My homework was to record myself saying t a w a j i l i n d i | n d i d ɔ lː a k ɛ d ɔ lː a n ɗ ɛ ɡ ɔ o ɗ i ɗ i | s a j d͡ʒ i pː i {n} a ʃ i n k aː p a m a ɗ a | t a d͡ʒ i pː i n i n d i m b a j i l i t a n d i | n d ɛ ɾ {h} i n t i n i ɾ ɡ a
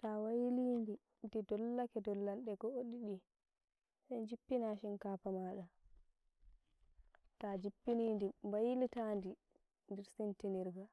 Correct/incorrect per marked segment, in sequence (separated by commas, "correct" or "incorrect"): correct, incorrect